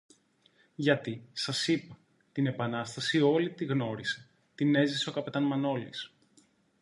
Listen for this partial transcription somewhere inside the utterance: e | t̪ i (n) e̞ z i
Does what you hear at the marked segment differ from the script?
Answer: no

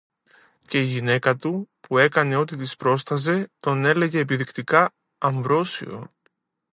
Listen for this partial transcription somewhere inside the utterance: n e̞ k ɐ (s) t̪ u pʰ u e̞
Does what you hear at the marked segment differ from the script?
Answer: yes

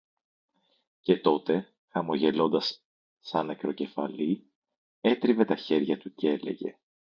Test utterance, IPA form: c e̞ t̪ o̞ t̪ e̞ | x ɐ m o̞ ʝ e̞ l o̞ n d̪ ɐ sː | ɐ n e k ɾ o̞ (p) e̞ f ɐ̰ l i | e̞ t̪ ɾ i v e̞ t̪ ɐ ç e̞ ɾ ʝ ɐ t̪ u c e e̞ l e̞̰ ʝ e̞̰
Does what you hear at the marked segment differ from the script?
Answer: yes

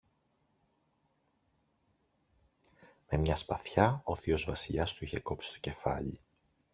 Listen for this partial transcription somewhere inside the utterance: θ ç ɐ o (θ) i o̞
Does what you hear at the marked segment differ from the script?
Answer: no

